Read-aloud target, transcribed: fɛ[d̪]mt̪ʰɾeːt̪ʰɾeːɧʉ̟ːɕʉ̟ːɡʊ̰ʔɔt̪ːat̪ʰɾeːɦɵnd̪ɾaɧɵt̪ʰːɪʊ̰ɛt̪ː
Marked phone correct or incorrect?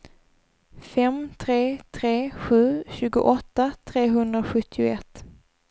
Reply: incorrect: none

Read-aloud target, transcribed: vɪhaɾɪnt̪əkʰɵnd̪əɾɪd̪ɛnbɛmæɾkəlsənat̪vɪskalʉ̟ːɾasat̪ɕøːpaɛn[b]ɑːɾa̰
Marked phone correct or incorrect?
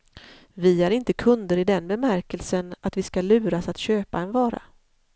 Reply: incorrect: v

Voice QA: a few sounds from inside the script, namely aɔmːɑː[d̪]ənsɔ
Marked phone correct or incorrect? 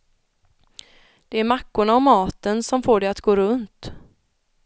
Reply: incorrect: t̪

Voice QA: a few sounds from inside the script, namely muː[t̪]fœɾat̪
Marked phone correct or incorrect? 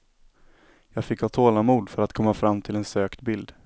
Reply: incorrect: d̪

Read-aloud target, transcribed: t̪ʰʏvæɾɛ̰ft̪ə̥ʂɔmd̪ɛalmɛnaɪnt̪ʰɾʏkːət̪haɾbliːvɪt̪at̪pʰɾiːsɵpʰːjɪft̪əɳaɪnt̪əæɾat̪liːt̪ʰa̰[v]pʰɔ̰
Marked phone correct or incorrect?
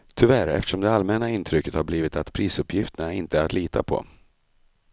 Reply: incorrect: none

